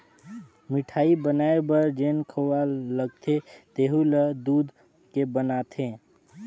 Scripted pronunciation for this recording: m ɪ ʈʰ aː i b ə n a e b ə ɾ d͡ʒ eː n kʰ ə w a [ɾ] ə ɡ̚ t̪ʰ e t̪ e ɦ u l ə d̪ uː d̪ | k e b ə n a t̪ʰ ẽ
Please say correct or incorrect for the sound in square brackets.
incorrect